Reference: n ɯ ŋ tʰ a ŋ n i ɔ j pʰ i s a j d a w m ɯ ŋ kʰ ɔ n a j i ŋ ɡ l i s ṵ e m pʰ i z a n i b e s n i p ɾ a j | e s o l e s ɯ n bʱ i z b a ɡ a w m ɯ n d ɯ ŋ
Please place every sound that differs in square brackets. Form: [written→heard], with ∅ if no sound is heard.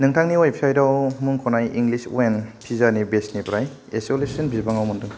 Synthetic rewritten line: n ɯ ŋ tʰ a ŋ n i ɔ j pʰ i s a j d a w m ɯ ŋ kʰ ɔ n a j i ŋ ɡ l i s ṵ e [m→n] pʰ i z a n i b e s n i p ɾ a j | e s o l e s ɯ n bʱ i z b a [ɡ→ŋ] a w m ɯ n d ɯ ŋ